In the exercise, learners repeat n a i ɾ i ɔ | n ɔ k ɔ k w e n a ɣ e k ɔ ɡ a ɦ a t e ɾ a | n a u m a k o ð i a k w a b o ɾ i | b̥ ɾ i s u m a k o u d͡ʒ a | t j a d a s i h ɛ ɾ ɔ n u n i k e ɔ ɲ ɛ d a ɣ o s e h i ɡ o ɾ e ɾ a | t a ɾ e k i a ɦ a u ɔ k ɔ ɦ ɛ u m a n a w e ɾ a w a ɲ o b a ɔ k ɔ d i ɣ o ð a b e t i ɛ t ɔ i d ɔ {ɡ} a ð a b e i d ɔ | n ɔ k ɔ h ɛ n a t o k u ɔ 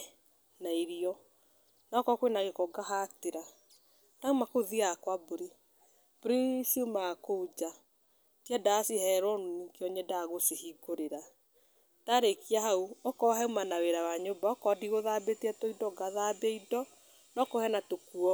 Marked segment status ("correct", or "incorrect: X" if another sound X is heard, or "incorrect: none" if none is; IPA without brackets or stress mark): correct